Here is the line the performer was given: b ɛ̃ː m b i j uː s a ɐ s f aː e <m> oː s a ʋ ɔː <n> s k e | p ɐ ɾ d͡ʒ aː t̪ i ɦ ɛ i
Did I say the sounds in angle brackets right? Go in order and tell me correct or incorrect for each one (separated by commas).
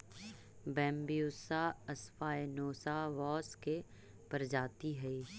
incorrect, incorrect